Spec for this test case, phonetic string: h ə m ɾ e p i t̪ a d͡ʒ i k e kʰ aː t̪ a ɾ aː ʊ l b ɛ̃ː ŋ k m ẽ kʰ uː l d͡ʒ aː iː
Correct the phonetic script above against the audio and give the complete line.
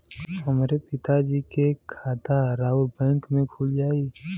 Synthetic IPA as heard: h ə m ɾ e p ɪ t̪ a d͡ʒ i k e kʰ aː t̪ a ɾ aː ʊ l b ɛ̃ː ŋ k m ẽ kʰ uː l d͡ʒ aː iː